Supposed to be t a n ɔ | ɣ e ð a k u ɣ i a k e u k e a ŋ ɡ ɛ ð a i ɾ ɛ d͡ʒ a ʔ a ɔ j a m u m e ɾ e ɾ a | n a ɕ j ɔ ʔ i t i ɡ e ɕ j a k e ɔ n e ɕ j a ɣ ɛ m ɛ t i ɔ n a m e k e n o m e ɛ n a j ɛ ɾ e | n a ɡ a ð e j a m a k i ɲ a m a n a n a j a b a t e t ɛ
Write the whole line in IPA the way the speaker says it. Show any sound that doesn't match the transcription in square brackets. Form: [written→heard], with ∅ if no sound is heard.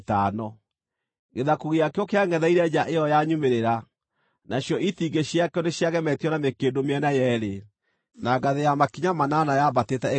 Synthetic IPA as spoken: t a n ɔ | ɣ e ð a k u ɣ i a k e [u→ɔ] k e a ŋ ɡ ɛ ð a i ɾ ɛ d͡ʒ a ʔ [a→e] ɔ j a [m→ɲ] u m e ɾ e ɾ a | n a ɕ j ɔ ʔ i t i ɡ e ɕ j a k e ɔ n e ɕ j a ɣ ɛ m ɛ t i ɔ n a m e k e [n→d] o m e ɛ n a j ɛ ɾ e | n a ɡ a ð e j a m a k i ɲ a m a n a n a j a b a t e t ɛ